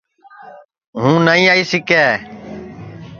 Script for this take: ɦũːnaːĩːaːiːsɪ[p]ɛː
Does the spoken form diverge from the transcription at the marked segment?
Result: yes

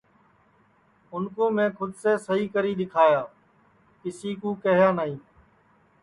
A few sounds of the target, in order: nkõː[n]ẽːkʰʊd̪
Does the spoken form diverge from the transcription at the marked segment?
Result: yes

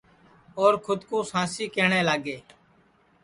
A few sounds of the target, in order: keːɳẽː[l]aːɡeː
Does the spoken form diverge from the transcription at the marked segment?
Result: no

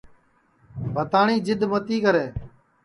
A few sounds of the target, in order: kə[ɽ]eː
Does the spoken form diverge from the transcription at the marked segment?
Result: yes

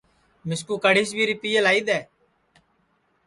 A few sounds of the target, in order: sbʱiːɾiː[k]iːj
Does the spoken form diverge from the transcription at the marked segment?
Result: yes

